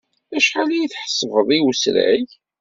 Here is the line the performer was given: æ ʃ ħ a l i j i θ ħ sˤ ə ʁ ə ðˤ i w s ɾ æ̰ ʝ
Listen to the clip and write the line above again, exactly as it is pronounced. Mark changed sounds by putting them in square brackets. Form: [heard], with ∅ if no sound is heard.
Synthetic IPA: æ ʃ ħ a l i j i θ ħ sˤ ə [v] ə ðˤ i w s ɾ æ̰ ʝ

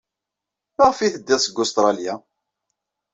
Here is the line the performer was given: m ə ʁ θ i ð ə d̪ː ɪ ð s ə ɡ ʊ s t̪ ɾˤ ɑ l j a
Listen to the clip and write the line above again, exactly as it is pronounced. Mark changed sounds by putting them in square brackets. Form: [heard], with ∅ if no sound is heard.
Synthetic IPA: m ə ʁ [f] i [θ] ə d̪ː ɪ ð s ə ɡ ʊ s t̪ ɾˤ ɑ l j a

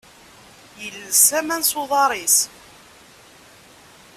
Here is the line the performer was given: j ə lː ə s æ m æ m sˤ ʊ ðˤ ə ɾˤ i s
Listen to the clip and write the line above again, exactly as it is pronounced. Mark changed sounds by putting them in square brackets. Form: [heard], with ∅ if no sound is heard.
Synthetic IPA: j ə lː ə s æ m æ [n] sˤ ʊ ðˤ [ɑ] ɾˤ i s

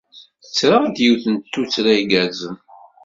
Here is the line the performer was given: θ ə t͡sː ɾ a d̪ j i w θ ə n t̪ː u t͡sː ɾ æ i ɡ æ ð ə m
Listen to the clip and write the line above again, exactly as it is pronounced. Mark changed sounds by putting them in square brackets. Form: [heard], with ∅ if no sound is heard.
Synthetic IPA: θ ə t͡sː ɾ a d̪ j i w θ ə n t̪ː u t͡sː ɾ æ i ɡ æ [z] ə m

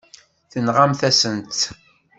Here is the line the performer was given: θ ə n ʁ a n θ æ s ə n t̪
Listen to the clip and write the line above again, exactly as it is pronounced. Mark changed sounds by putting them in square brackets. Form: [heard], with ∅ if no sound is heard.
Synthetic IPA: θ ə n ʁ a [m] θ æ s ə n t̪

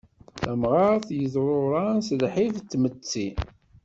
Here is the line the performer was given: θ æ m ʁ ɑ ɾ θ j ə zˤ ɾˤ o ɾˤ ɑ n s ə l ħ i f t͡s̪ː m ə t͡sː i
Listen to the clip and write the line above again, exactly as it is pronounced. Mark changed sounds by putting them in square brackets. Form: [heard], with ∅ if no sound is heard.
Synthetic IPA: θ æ m ʁ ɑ ɾ θ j ə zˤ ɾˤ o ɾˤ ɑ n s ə l ħ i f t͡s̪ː m ə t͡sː i

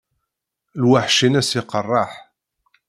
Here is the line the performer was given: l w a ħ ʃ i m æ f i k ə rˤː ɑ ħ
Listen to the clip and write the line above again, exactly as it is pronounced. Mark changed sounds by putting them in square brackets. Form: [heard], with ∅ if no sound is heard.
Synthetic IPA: l w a ħ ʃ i [n] æ [s] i [q] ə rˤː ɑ ħ

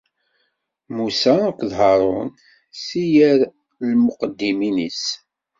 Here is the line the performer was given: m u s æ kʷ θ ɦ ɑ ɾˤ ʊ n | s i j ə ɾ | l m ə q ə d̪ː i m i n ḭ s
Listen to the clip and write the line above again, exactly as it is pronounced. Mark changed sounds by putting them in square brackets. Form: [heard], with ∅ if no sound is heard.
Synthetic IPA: m u s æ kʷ [ð] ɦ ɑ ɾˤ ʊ n | s i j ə ɾ | l m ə q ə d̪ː i m i n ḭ s

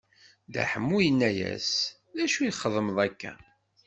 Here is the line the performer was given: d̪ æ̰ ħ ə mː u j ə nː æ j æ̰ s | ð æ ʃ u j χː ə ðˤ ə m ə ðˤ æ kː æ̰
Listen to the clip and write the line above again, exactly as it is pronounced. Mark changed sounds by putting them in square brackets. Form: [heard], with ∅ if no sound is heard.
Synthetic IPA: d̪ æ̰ ħ ə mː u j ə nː æ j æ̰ s | ð æ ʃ u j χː ə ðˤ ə m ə ðˤ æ kː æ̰

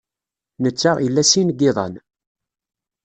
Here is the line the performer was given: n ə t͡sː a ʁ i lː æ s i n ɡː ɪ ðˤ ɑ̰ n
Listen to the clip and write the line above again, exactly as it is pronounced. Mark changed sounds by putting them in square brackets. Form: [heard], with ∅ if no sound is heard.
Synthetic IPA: n ə t͡sː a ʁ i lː æ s i n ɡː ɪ ðˤ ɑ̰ n

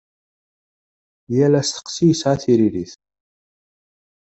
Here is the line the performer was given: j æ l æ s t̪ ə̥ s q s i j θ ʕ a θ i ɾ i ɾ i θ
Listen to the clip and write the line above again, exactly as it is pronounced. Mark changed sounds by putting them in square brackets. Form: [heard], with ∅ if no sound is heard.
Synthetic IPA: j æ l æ s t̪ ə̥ [∅] q s i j [s] ʕ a θ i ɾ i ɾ i θ

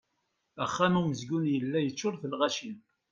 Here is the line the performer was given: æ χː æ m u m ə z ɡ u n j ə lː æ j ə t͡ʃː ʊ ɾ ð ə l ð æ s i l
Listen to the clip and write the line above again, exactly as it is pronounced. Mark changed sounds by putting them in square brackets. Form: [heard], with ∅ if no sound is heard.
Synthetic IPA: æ χː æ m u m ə z ɡ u n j ə lː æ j ə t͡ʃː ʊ ɾ [θ] ə l [ʁ] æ [ʃ] i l

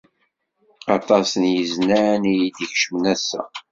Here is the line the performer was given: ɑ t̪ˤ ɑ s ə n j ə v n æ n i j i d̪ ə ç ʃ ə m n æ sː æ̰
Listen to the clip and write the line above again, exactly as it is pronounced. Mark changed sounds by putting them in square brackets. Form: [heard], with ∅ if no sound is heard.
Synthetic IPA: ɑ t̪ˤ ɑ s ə n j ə [z] n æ n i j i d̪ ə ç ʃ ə m n æ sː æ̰

